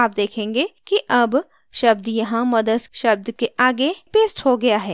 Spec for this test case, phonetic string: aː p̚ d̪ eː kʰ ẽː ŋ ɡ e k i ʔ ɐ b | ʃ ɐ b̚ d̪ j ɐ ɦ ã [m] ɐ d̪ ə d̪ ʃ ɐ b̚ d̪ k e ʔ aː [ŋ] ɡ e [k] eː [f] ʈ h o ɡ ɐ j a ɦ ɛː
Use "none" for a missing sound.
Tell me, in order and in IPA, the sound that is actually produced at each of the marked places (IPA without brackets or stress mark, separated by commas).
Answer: m, none, p, s